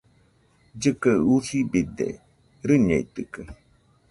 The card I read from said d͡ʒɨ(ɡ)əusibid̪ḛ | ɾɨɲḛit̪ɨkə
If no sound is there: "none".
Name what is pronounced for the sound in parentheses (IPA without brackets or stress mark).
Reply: k